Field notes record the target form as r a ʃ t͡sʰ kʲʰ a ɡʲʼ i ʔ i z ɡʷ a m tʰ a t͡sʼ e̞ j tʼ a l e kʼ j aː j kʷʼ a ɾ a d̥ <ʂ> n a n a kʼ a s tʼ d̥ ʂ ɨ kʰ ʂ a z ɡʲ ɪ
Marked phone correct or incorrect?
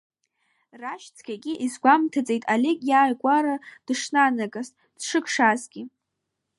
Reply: correct